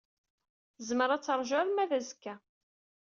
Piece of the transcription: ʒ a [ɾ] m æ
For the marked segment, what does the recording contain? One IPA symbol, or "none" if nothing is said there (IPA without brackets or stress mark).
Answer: ɾ